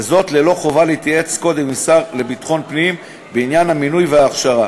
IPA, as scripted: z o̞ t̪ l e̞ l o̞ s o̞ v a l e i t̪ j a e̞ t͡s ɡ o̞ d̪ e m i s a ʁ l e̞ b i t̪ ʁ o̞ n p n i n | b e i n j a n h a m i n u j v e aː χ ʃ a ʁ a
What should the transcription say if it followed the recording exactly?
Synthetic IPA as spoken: z o̞ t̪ l e̞ l o̞ χ o̞ v a l e i t̪ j a e̞ t͡s k o̞ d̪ e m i s a ʁ l e̞ b i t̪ χ o̞ n p n i m | b e i n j a n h a m i n u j v e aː χ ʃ a ʁ a